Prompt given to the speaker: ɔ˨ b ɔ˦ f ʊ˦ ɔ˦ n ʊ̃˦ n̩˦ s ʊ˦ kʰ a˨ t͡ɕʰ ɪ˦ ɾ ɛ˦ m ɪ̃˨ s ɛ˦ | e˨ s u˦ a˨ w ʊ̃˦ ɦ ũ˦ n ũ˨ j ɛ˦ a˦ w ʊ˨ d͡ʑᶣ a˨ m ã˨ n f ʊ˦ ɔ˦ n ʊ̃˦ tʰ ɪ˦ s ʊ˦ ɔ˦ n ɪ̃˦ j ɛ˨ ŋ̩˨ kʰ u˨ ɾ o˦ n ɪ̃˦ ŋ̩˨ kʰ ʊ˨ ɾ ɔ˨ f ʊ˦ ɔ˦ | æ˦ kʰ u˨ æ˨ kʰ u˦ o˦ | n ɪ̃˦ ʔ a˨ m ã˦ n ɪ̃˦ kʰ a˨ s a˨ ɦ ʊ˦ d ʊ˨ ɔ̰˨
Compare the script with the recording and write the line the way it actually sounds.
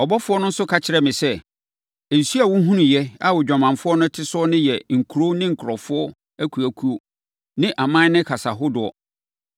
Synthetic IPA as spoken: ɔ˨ b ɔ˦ f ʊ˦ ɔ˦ n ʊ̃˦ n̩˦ s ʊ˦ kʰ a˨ t͡ɕʰ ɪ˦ ɾ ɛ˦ m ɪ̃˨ s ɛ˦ | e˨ s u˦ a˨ w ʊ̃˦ ɦ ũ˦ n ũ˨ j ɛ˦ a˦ w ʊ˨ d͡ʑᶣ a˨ m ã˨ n f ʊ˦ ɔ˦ n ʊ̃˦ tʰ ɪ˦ s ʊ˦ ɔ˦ n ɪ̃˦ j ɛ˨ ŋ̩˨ kʰ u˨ ɾ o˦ n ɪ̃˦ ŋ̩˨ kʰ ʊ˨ ɾ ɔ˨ f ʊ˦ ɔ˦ | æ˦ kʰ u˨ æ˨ kʰ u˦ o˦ | n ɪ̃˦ ʔ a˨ m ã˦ n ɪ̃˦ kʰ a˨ s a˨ ɦ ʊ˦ d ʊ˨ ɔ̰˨